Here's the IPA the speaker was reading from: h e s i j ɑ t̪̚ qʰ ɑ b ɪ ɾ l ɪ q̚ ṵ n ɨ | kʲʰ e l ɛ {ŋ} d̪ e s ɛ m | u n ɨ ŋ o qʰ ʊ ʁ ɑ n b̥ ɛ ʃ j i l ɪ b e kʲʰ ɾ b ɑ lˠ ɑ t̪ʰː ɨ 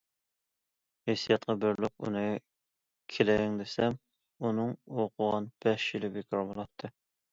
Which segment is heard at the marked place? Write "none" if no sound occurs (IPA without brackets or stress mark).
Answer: ŋ